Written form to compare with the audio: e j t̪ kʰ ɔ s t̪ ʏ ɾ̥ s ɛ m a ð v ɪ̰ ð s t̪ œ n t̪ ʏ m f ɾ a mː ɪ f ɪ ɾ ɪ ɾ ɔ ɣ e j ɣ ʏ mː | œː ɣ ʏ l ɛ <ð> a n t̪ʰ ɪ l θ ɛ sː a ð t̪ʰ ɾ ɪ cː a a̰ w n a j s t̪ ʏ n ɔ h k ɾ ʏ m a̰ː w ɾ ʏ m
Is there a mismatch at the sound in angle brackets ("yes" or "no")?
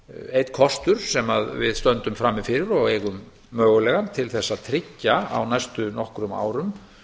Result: yes